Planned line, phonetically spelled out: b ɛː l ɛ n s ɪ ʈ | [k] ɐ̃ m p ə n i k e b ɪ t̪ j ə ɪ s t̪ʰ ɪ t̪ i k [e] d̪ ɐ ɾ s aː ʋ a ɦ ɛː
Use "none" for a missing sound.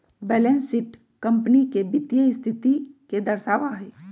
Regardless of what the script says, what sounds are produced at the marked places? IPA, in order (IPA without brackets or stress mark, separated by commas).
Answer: k, e